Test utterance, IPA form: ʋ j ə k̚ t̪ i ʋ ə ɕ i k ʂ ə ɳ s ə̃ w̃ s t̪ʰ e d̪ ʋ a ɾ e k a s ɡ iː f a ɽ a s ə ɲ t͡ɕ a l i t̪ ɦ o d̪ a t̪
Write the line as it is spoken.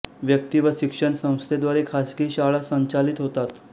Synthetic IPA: ʋ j ə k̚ t̪ i ʋ ə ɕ i k ʂ ə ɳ s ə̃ w̃ s t̪ʰ e d̪ ʋ a ɾ e kʰ a s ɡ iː ɕ a ɭ a s ə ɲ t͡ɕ a l i t̪ ɦ o t̪ a t̪